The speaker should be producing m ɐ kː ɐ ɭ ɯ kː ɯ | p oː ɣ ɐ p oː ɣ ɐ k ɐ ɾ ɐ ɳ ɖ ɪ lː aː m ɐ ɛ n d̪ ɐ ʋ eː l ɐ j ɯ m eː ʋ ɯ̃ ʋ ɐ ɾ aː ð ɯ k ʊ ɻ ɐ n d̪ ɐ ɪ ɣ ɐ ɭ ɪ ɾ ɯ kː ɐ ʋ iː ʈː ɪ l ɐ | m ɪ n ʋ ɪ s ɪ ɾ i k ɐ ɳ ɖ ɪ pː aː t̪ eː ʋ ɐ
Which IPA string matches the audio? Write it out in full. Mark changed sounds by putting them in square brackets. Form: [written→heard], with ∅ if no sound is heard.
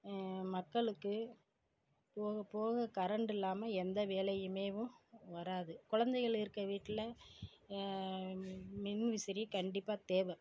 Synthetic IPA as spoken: m ɐ kː ɐ ɭ ɯ kː ɯ | p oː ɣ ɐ p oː ɣ ɐ k ɐ ɾ ɐ ɳ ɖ ɪ lː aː m ɐ ɛ n d̪ ɐ ʋ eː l ɐ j ɯ m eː ʋ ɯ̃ ʋ ɐ ɾ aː ð ɯ k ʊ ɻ ɐ n d̪ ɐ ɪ ɣ ɐ ɭ ɪ ɾ ɯ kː ɐ ʋ iː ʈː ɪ l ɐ | m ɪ n ʋ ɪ s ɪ ɾ i k ɐ ɳ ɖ ɪ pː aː t̪ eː ʋ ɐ

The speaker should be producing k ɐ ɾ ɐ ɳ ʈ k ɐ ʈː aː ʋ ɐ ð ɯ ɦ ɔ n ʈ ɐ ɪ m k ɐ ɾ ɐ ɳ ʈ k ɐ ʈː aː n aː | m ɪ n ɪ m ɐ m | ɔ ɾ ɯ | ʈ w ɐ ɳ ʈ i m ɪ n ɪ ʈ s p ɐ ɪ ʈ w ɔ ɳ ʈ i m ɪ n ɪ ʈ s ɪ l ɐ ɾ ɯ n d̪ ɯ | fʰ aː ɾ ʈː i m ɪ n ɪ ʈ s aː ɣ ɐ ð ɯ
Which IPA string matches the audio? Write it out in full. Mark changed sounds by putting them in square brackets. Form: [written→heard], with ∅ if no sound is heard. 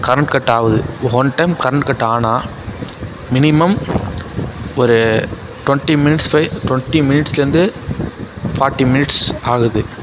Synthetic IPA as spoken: k ɐ ɾ ɐ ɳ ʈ k ɐ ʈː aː ʋ ɐ ð ɯ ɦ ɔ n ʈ ɐ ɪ m k ɐ ɾ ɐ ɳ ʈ k ɐ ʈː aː n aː | m ɪ n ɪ m ɐ m | ɔ ɾ ɯ | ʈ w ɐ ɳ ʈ i m ɪ n ɪ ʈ s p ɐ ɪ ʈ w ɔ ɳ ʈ i m ɪ n ɪ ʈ s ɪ l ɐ ɾ ɯ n d̪ ɯ | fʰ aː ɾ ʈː i m ɪ n ɪ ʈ s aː ɣ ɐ ð ɯ

